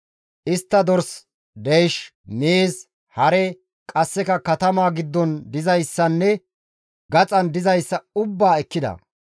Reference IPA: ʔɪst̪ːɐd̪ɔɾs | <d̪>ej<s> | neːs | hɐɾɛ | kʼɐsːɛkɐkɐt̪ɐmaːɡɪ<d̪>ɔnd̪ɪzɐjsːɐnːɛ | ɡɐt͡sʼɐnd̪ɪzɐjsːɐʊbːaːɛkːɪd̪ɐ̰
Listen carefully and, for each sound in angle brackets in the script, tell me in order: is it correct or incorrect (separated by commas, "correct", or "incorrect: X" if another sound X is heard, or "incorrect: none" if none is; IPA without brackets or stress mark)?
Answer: correct, incorrect: ʃ, incorrect: d̪ː